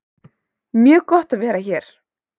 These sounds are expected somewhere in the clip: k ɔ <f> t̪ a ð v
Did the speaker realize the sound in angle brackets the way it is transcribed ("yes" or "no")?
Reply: no